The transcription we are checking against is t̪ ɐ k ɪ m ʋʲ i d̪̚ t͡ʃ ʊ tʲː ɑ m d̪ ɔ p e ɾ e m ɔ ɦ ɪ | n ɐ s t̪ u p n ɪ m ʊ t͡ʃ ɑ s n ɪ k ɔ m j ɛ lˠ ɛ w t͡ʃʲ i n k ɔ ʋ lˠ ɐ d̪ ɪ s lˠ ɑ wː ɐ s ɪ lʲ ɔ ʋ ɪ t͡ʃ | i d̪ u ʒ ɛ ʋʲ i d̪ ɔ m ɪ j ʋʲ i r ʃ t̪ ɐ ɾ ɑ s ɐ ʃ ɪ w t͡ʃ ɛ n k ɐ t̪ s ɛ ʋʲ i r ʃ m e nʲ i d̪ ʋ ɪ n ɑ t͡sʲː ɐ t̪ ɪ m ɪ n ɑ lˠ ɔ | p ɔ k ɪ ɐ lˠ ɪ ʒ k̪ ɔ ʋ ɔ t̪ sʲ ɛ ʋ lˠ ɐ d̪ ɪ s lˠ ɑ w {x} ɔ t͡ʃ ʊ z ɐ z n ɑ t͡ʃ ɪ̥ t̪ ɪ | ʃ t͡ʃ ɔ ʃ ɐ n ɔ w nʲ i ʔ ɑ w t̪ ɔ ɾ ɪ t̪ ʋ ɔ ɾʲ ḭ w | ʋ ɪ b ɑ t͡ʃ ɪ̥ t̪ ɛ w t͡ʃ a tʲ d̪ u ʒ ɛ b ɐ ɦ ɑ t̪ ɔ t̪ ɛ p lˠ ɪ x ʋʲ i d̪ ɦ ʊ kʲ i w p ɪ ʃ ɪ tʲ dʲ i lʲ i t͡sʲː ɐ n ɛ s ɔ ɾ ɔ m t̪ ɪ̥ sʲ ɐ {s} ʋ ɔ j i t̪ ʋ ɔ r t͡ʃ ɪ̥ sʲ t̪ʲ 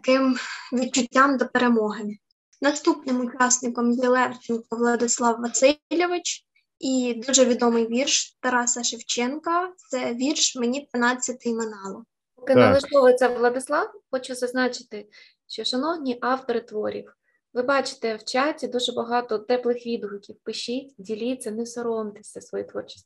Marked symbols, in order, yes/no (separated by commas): yes, yes